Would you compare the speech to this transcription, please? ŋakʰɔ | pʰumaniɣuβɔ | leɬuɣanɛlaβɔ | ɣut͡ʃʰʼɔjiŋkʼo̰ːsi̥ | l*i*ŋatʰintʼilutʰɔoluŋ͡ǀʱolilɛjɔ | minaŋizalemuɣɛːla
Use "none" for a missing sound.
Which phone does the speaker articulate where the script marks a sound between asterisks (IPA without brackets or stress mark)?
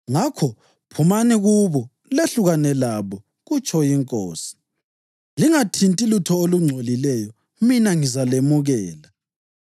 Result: i